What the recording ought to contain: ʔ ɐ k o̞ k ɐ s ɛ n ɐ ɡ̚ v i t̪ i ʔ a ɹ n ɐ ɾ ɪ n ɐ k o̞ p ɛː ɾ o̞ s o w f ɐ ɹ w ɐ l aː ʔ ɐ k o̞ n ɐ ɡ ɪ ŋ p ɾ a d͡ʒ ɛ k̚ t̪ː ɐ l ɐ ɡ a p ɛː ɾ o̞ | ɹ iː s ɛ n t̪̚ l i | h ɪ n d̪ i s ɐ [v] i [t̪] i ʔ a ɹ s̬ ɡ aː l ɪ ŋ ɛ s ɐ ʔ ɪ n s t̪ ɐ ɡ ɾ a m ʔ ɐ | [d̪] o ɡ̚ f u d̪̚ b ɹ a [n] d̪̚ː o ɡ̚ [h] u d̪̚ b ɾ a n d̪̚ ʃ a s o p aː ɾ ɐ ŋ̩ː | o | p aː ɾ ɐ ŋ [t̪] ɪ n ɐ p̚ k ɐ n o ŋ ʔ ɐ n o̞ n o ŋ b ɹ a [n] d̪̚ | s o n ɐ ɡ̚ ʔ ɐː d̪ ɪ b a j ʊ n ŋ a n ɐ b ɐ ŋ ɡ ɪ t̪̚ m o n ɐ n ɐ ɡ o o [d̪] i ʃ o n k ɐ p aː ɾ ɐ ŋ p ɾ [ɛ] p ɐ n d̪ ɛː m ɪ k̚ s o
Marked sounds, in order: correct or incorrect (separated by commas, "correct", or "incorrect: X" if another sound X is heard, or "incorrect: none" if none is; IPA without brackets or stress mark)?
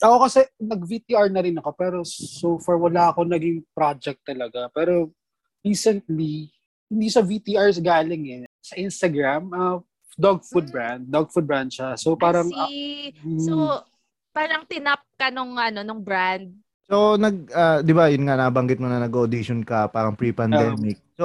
correct, correct, correct, correct, incorrect: f, correct, correct, correct, incorrect: i